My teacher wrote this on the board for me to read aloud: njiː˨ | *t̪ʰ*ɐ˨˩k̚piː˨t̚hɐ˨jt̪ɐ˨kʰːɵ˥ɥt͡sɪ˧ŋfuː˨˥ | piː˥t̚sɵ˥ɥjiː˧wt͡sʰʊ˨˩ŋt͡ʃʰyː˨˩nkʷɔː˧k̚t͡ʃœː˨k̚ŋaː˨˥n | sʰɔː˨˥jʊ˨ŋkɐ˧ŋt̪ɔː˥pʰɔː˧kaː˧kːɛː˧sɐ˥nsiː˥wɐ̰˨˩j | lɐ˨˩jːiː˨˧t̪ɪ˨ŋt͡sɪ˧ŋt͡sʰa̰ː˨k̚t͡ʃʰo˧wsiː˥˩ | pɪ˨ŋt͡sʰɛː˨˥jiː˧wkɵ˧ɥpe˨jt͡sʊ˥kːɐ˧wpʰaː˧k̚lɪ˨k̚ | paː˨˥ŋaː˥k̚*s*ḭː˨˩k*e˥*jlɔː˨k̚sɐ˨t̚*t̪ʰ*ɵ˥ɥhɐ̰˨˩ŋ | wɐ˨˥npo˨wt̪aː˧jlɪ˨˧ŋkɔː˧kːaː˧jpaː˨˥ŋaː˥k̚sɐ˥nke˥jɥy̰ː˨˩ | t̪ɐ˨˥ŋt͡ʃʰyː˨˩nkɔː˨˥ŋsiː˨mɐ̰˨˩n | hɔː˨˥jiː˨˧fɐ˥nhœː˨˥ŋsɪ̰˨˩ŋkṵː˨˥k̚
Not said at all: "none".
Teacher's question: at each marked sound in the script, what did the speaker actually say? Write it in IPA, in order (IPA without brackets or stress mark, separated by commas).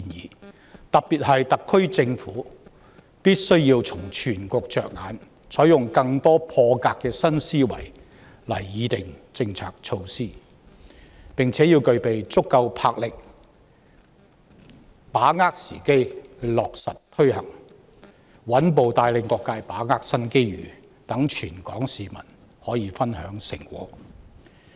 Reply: t̪, s, e˥, t̪ʰ